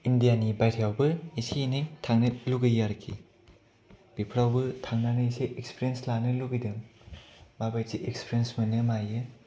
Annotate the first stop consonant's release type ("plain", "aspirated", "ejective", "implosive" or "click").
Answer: plain